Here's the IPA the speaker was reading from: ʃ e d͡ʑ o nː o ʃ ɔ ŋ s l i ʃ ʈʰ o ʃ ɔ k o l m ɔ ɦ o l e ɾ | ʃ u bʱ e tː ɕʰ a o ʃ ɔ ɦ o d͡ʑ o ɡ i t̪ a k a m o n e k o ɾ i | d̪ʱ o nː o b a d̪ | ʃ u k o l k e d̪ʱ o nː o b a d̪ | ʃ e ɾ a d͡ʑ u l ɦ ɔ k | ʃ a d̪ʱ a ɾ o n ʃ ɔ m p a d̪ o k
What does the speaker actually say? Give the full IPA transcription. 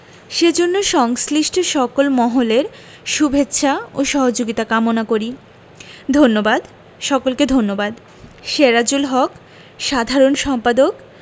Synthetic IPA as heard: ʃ e d͡ʑ o nː o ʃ ɔ ŋ s l i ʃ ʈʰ o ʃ ɔ k o l m ɔ ɦ o l e ɾ | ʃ u bʱ e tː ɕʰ a o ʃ ɔ ɦ o d͡ʑ o ɡ i t̪ a k a m o n a k o ɾ i | d̪ʱ o nː o b a d̪ | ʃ ɔ k o l k e d̪ʱ o nː o b a d̪ | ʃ e ɾ a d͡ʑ u l ɦ ɔ k | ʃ a d̪ʱ a ɾ o n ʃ ɔ m p a d̪ o k